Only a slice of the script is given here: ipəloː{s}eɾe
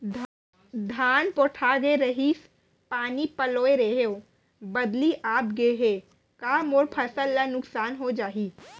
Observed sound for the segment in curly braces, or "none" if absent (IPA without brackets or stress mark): none